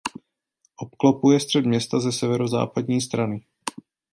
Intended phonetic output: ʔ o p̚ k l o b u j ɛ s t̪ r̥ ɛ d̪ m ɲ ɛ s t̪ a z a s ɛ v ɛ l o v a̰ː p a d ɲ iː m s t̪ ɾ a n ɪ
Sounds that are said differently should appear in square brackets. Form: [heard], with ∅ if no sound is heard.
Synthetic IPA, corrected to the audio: ʔ o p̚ k l o [p] u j ɛ s t̪ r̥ ɛ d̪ m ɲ ɛ s t̪ a z [ɛ] s ɛ v ɛ [ɾ] o [z] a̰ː p a d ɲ iː [∅] s t̪ ɾ a n ɪ